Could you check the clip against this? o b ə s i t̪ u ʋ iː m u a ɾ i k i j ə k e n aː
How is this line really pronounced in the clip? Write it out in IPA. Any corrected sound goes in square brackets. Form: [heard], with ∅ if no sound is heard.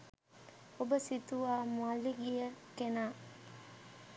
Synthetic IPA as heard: o b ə s i t̪ u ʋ [aː] m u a [l] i [ɡ] i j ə k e n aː